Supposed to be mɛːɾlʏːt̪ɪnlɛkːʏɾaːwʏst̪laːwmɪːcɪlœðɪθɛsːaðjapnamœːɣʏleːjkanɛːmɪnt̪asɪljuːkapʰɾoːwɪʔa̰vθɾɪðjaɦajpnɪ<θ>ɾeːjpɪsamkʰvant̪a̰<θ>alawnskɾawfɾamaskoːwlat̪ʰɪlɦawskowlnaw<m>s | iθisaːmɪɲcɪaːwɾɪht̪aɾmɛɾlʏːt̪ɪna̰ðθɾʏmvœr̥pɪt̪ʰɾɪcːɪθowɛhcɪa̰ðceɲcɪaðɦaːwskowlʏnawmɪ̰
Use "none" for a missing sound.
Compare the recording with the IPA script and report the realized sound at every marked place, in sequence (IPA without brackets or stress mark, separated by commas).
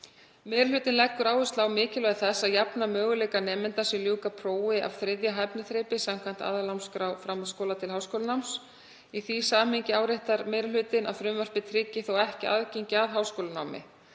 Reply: θ, ð, m